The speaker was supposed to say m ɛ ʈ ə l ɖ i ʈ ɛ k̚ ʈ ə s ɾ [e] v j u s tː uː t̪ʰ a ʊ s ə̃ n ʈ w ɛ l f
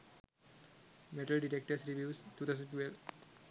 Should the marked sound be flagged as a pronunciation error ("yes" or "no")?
yes